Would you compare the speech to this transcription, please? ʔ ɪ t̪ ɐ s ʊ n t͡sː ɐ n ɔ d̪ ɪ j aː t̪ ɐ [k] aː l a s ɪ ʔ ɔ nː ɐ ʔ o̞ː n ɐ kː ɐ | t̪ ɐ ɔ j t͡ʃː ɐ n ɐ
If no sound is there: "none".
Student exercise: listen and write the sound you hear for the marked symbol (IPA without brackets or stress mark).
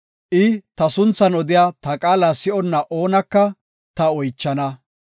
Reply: kʼ